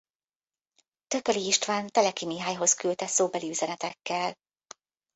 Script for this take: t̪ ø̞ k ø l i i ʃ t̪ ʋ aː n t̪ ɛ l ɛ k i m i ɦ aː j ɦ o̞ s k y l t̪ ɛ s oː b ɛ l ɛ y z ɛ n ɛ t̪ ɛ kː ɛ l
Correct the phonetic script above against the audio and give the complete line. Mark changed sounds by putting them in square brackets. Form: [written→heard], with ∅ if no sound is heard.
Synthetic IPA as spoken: t̪ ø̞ k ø l i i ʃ t̪ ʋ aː n t̪ ɛ l ɛ k i m i ɦ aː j ɦ o̞ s k y l t̪ ɛ s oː b ɛ l [ɛ→i] y z ɛ n ɛ t̪ ɛ kː ɛ l